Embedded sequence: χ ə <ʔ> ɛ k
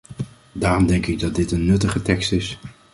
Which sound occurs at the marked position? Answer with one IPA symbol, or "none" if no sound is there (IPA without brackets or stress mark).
t